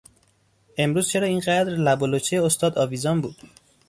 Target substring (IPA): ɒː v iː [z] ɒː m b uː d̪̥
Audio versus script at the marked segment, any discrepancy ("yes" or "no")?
no